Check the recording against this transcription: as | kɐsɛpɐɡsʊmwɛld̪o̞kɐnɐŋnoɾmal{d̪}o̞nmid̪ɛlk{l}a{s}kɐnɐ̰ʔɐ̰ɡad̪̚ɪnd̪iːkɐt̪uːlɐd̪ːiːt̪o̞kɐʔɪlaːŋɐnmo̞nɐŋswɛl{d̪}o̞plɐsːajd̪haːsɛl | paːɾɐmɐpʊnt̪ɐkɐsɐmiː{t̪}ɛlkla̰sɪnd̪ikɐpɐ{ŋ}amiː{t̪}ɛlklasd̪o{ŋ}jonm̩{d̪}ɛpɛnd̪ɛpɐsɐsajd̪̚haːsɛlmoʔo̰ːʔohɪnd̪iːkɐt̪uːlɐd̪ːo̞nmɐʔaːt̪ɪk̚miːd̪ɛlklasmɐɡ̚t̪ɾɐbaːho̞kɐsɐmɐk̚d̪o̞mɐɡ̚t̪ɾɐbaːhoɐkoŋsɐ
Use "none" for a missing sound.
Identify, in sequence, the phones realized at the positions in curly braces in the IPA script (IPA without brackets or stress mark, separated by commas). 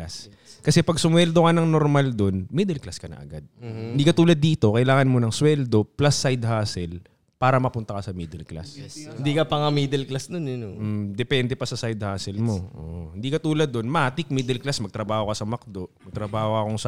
d̪, l, s, d̪, d̪, ŋ, d̪, n, d̪